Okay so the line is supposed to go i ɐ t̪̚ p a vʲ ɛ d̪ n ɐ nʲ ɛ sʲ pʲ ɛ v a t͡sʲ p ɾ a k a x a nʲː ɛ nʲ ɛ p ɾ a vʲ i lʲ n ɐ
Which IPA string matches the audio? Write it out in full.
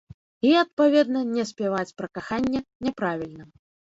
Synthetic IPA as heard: i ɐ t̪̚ p a vʲ ɛ d̪ n ɐ nʲ ɛ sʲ pʲ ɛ v a t͡sʲ p ɾ ɐ k a x a nʲː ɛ nʲ ɛ p ɾ a vʲ i lʲ n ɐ